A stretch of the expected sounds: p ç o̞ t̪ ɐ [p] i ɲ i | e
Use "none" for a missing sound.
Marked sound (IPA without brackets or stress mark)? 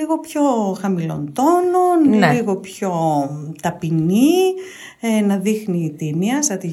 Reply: p